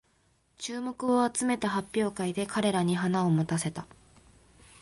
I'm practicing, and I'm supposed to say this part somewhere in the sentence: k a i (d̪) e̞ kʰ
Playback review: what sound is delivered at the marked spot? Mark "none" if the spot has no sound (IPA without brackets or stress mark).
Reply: d̪